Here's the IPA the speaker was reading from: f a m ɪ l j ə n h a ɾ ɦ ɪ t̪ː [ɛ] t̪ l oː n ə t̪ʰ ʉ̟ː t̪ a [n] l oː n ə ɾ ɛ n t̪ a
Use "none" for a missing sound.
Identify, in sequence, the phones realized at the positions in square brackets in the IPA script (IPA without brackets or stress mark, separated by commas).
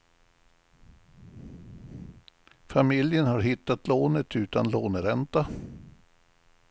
a, n